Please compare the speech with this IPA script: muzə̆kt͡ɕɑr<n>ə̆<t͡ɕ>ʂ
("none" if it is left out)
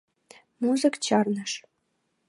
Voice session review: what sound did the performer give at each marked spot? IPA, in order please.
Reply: n, none

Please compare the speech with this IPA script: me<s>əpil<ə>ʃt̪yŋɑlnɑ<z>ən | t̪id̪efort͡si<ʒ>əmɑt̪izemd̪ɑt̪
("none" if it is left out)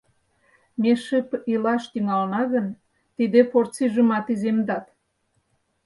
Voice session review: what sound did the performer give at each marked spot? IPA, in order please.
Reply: ʃ, ɑ, ɣ, ʒ

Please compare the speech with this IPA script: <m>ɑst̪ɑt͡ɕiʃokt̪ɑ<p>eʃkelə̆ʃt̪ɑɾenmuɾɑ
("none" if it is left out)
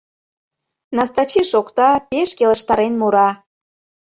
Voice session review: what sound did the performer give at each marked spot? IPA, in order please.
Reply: n, p

